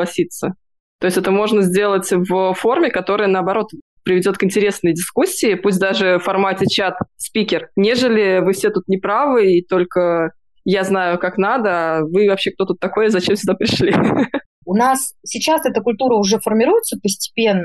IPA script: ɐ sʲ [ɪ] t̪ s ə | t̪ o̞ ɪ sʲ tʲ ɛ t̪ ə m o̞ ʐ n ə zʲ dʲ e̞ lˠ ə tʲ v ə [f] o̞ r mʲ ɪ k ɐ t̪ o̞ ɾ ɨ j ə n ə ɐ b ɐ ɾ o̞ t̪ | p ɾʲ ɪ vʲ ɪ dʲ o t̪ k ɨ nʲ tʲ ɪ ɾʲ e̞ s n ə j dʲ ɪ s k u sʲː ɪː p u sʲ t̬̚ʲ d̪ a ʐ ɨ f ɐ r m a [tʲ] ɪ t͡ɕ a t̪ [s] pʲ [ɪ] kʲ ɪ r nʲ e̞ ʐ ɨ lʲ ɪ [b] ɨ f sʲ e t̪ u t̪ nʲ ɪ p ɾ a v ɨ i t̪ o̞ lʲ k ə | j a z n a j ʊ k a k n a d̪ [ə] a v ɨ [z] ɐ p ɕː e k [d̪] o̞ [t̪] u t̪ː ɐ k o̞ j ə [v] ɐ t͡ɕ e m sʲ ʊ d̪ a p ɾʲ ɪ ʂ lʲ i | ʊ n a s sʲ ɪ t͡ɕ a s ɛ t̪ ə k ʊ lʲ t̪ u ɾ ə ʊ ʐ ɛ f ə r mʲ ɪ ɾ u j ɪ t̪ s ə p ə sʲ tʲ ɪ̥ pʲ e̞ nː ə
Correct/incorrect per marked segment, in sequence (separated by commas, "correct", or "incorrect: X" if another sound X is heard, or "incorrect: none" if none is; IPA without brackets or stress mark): incorrect: i, correct, correct, correct, incorrect: i, incorrect: v, correct, incorrect: v, incorrect: t̪, correct, incorrect: z